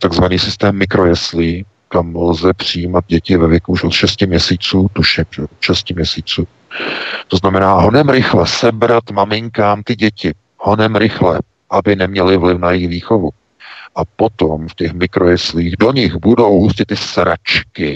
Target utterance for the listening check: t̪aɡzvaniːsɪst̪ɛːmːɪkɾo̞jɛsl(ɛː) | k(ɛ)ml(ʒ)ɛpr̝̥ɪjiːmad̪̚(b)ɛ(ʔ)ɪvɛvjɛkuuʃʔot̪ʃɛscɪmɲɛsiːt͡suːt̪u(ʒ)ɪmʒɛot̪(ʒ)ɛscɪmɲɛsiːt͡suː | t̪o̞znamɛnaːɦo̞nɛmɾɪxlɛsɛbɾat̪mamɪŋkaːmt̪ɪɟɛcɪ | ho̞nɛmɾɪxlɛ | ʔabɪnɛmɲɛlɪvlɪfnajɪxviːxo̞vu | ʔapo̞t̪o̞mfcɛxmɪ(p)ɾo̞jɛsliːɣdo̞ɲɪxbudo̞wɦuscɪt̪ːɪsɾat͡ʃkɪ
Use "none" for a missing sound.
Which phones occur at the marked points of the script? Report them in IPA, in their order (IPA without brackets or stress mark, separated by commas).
iː, a, z, ɟ, c, ʃ, ʃ, k